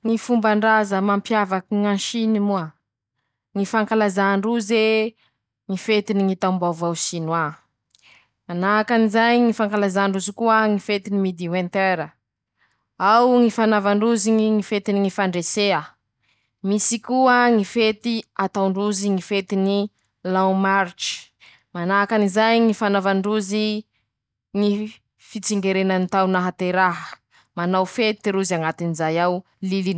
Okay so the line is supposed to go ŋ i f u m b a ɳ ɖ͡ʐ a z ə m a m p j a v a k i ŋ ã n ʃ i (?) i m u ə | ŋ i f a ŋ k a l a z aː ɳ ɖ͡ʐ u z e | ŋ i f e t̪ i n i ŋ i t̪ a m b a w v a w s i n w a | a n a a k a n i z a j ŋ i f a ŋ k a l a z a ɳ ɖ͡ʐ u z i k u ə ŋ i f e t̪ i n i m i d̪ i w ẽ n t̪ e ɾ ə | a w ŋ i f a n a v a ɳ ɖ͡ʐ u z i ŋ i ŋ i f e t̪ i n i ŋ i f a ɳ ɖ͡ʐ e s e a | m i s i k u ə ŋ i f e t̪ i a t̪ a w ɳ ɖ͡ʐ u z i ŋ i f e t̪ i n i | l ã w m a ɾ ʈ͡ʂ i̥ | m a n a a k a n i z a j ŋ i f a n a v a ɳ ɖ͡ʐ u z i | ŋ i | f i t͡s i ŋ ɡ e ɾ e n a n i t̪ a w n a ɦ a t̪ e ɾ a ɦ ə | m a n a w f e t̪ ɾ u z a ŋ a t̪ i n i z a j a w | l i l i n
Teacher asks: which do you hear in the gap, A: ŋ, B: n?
B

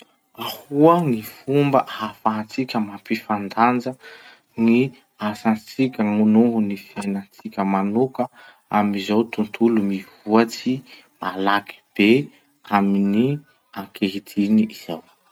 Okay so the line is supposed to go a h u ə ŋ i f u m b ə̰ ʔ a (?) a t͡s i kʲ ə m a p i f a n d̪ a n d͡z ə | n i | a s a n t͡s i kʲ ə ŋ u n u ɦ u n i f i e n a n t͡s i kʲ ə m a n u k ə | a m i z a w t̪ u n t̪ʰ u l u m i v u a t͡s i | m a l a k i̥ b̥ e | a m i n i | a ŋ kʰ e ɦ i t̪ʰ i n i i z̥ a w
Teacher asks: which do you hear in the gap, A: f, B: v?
A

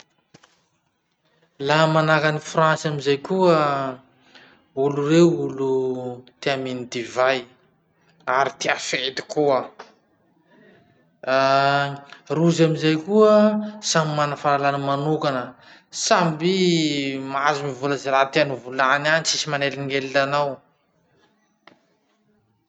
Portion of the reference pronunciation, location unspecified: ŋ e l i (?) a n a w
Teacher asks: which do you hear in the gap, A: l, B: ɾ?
A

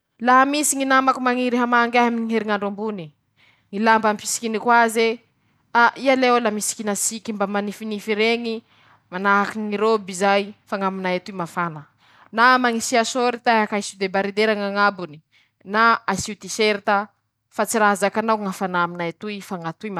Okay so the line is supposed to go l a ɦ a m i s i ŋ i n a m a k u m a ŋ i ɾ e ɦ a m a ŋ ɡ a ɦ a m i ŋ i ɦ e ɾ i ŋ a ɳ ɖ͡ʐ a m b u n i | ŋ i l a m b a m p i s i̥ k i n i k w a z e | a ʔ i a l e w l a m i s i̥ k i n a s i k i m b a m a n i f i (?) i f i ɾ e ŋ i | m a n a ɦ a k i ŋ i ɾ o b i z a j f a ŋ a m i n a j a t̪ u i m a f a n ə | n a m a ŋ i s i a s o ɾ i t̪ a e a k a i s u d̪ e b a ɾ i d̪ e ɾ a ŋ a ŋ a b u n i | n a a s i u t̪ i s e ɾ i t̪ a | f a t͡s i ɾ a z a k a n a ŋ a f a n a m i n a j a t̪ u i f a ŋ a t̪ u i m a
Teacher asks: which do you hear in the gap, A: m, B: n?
B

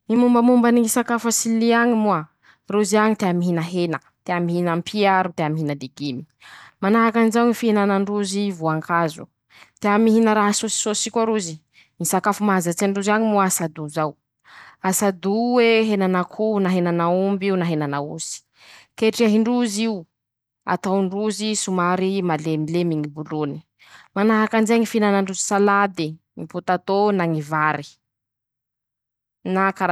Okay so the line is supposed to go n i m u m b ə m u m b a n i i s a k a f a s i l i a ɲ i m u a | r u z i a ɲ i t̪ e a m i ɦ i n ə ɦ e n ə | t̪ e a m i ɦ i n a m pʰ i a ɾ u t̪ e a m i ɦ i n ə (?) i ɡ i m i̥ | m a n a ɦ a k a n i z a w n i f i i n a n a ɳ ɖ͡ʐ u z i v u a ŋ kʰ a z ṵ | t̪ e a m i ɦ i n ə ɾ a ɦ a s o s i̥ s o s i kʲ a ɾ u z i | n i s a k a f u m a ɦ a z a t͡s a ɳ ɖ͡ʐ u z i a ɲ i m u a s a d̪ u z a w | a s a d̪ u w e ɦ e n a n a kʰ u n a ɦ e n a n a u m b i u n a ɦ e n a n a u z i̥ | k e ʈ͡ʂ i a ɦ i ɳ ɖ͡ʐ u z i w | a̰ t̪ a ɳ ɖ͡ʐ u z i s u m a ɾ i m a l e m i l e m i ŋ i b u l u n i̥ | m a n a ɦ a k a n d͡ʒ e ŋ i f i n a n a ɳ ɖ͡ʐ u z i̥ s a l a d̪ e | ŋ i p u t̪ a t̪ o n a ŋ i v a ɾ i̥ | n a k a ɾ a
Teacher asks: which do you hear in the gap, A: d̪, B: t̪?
A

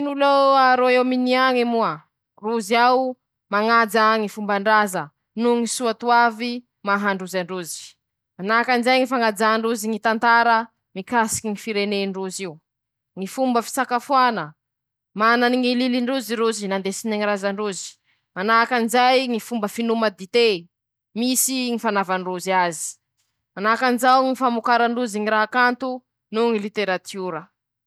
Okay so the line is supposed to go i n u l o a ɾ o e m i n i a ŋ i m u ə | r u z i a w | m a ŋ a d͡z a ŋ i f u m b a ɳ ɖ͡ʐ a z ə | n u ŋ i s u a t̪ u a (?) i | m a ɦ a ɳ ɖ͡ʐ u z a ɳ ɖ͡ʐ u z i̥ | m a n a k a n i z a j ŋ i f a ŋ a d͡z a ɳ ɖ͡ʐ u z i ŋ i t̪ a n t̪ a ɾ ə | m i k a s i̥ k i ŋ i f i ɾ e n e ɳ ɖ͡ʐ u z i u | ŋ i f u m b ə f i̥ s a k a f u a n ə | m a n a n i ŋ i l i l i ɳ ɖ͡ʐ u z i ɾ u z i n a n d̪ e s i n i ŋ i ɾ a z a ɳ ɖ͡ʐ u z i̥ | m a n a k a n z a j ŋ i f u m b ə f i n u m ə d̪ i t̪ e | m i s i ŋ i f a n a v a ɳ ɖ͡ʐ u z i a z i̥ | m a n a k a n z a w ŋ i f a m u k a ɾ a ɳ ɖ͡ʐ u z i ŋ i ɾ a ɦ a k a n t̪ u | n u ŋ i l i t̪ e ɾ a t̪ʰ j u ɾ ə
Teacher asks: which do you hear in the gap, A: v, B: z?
A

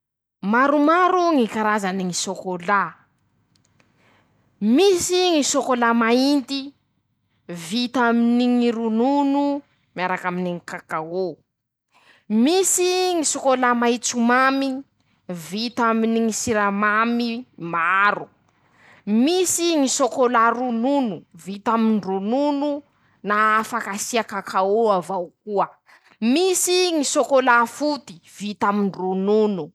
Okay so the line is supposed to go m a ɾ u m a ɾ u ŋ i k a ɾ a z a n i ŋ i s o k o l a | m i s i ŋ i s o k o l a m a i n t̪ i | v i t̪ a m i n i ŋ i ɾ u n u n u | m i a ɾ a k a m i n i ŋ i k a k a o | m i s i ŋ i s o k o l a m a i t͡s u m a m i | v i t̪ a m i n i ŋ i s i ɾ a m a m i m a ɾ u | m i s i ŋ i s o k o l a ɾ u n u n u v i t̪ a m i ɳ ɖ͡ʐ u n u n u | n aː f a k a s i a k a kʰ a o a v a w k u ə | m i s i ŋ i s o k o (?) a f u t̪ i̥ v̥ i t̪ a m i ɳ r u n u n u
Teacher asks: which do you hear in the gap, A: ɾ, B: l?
B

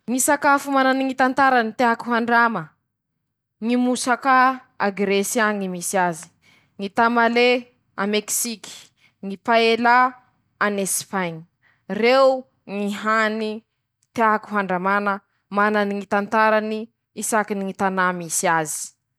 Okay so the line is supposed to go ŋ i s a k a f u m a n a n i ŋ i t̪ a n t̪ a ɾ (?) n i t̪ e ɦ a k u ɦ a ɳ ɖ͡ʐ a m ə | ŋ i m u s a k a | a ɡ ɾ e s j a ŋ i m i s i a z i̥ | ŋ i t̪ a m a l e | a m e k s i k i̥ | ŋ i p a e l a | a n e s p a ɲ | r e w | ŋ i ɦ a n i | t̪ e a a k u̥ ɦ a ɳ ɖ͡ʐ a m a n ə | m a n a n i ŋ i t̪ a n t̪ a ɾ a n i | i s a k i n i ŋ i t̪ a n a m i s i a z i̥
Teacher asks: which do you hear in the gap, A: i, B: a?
B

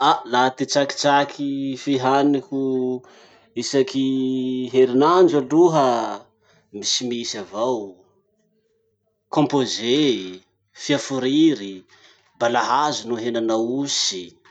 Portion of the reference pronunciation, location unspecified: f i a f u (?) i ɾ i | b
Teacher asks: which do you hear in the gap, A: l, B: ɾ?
B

